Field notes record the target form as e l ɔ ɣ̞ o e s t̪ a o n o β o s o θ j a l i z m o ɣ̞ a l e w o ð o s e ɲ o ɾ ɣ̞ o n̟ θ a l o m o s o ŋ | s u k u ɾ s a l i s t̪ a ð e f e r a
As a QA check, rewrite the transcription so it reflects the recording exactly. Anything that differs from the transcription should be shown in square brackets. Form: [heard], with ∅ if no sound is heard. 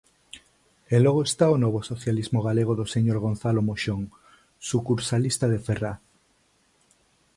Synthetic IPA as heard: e l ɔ ɣ̞ o e s t̪ a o n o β o s o θ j a l i z m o ɣ̞ a l e [ɣ] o ð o s e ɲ o ɾ ɣ̞ o n̟ θ a l o m o [ʃ] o ŋ | s u k u ɾ s a l i s t̪ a ð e f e r a